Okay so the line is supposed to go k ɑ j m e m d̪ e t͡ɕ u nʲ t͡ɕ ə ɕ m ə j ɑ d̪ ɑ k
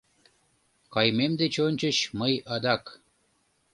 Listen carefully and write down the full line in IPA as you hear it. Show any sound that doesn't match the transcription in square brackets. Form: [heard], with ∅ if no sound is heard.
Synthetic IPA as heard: k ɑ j m e m d̪ e t͡ɕ [o] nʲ t͡ɕ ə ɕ m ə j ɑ d̪ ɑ k